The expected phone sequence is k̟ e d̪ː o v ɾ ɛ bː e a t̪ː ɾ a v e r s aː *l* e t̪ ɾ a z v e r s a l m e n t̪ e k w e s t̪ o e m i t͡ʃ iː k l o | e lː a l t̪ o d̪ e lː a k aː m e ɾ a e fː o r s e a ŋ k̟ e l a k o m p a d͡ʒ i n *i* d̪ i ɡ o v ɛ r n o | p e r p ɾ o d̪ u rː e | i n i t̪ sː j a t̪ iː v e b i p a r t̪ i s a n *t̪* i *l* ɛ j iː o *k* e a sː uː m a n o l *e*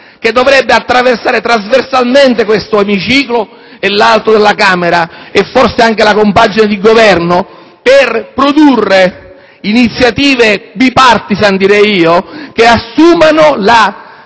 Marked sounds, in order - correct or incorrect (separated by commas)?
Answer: incorrect, incorrect, incorrect, incorrect, correct, incorrect